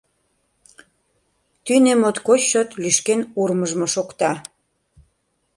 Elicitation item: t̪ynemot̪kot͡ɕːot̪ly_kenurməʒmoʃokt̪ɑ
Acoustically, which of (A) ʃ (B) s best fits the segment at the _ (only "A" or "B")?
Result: A